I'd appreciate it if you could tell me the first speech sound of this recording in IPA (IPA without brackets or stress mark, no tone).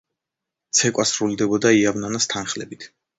t̪